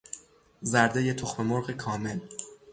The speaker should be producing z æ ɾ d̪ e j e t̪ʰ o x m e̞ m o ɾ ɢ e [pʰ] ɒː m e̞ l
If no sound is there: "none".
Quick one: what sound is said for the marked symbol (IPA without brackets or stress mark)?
kʰ